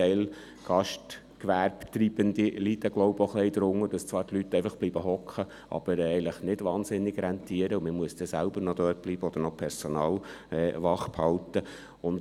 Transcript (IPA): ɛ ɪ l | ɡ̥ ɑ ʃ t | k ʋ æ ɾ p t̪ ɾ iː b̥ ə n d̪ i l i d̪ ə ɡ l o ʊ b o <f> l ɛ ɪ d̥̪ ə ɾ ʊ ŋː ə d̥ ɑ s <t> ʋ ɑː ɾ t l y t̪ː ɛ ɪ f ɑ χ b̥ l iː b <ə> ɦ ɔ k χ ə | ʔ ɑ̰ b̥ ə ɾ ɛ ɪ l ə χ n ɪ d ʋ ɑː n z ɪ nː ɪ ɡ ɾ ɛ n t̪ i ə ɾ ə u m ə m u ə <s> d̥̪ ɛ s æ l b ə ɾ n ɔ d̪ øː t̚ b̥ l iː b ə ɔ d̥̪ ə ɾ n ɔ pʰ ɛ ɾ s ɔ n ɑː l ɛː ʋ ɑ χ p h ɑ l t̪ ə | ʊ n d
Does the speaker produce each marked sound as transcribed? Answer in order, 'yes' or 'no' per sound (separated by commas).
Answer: no, no, yes, yes